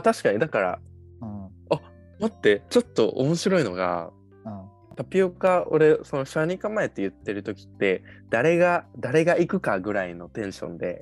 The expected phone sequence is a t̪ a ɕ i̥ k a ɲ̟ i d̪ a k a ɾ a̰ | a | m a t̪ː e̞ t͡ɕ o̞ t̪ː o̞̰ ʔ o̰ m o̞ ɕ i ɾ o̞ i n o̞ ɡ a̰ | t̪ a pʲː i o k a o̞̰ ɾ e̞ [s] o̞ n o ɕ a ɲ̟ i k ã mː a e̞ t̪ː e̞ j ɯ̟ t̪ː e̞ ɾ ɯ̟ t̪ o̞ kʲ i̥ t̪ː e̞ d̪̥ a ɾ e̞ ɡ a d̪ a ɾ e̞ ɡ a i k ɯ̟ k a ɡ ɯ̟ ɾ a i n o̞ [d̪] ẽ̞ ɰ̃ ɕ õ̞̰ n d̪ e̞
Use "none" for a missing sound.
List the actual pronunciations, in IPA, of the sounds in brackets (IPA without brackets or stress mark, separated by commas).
s, t̪